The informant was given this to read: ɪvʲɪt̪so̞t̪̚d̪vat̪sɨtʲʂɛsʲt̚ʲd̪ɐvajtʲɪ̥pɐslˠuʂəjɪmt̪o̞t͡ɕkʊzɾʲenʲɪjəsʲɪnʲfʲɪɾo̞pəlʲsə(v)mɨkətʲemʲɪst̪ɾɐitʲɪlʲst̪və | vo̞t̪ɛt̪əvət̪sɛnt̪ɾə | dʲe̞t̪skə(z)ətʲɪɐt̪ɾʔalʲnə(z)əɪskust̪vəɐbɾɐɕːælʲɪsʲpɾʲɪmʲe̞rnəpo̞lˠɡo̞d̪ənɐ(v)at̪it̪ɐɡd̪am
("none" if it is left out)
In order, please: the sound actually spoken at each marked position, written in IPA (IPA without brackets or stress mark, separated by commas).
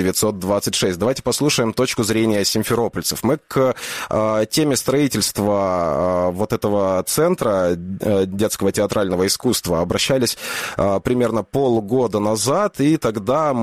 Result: f, v, v, z